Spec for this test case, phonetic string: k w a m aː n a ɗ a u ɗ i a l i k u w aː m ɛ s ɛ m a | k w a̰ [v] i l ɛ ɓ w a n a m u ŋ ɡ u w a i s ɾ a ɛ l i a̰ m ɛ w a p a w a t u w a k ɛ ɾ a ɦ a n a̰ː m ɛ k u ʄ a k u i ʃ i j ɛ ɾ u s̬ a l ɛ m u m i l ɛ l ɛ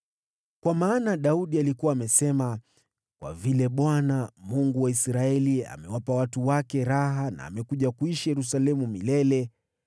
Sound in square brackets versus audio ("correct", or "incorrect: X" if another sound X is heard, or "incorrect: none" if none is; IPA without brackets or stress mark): correct